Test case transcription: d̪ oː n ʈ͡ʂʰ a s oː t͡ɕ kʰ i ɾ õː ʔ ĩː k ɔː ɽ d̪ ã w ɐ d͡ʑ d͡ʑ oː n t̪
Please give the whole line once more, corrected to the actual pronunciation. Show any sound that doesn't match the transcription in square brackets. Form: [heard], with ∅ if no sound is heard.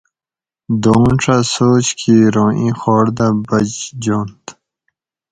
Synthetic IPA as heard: d̪ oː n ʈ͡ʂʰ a s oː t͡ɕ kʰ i ɾ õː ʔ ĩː [x] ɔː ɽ d̪ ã [b] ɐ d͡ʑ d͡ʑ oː n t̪